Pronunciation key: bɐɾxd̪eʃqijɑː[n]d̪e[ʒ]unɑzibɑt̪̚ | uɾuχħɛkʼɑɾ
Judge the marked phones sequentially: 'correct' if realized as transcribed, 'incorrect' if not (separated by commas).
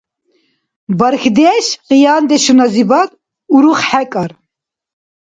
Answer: correct, incorrect